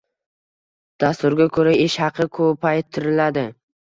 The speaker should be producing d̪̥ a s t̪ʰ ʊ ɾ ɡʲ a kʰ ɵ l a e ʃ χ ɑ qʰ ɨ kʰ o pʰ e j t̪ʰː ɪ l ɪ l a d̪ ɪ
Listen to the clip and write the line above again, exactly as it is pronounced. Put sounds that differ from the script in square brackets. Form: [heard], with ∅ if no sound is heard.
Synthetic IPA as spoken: d̪̥ a s [t̪] ʊ ɾ ɡʲ a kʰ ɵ [ɾ] a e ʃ [h] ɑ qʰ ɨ kʰ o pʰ [a] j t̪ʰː ɪ [ɾ] ɪ l a d̪ ɪ

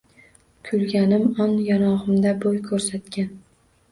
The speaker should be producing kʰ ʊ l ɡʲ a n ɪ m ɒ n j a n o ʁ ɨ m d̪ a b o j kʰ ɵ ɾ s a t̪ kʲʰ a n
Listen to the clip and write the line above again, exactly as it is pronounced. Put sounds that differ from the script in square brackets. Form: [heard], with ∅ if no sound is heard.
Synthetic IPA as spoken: kʰ ʊ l ɡʲ a n ɪ m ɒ n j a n [ɒ] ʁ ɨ m d̪ a b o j kʰ ɵ ɾ s a t̪ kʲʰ a n

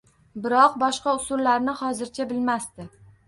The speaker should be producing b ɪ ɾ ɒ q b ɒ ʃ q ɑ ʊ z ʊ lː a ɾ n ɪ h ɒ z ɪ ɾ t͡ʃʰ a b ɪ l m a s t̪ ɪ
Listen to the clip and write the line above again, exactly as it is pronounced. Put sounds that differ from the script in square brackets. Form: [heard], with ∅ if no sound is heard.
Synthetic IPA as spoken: b ɪ ɾ ɒ q b ɒ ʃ q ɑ ʊ [s] ʊ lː a ɾ n ɪ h ɒ z ɪ ɾ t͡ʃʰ a b ɪ l m a s t̪ ɪ

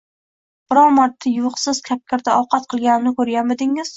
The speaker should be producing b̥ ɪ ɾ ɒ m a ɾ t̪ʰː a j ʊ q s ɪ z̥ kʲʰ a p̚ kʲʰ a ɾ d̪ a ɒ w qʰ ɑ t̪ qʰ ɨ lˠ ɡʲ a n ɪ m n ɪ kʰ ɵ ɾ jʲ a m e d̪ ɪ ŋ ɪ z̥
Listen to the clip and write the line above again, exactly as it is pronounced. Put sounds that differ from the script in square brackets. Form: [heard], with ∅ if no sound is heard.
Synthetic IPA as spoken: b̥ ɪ ɾ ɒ m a ɾ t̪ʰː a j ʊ q s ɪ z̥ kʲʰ a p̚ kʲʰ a ɾ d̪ a ɒ w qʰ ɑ t̪ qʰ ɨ lˠ ɡʲ a n ɪ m n ɪ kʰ ɵ ɾ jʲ a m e d̪ ɪ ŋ ɪ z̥

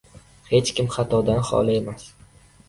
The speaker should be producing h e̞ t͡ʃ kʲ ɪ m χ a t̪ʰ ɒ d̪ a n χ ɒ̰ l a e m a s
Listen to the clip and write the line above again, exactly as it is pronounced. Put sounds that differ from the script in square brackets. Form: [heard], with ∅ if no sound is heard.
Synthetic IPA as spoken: h e̞ t͡ʃ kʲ ɪ m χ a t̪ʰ ɒ d̪ a n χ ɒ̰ l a e m a s

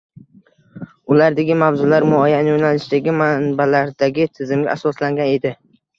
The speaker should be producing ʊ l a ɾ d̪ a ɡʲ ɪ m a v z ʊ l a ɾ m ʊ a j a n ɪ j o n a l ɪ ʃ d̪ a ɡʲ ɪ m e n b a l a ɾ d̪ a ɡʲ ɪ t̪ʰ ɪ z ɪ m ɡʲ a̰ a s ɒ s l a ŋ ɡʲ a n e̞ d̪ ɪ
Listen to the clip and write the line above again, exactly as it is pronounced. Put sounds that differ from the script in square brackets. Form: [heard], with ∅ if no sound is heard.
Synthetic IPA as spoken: ʊ l a ɾ d̪ a ɡʲ ɪ m a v z ʊ l a ɾ m ʊ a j a n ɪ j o n a l ɪ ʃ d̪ a ɡʲ ɪ m [a] n b a l a ɾ d̪ a ɡʲ ɪ t̪ʰ ɪ z ɪ m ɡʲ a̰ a s ɒ s l a ŋ ɡʲ a n e̞ d̪ ɪ

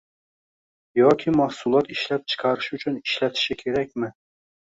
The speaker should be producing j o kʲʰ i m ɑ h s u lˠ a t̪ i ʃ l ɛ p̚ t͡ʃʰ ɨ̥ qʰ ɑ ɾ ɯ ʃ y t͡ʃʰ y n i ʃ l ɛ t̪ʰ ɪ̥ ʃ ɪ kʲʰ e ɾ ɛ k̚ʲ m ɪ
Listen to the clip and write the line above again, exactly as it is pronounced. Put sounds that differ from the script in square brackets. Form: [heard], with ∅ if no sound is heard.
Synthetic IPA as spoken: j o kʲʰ i m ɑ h s u lˠ [ɑ] t̪ i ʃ l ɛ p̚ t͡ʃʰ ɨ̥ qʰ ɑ ɾ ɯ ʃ y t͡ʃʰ y n i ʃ l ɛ t̪ʰ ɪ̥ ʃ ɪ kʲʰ e ɾ ɛ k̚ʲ m ɪ

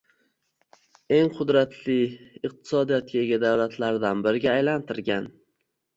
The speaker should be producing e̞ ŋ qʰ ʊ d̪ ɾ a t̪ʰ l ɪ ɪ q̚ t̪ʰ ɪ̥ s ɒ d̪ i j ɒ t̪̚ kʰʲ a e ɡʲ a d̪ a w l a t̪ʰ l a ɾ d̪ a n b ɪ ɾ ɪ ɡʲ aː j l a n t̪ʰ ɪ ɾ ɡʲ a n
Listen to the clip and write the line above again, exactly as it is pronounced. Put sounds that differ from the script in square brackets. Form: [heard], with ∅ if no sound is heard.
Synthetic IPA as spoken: e̞ ŋ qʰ ʊ d̪ ɾ a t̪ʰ l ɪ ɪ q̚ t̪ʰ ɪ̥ s ɒ d̪ i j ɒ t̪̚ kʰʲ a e ɡʲ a d̪ a w l a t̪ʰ l a ɾ d̪ a n b ɪ ɾ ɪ ɡʲ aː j l a n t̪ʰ ɪ ɾ ɡʲ a n

